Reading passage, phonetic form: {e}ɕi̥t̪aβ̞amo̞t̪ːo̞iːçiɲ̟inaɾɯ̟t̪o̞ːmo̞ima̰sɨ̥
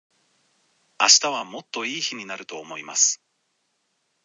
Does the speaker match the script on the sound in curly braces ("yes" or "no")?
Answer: no